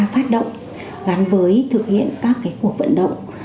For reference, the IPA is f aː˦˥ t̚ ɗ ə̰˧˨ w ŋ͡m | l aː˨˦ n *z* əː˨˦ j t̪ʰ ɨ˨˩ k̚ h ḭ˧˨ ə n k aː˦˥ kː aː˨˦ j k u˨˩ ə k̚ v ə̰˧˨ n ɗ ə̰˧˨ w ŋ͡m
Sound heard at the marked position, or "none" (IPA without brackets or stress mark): v